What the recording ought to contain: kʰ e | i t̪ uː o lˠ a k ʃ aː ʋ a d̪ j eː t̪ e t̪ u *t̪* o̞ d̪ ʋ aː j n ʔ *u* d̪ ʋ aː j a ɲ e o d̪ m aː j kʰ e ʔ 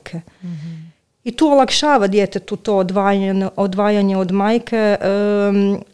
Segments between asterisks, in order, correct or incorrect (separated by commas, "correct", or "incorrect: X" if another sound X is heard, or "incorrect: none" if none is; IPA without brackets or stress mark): correct, incorrect: o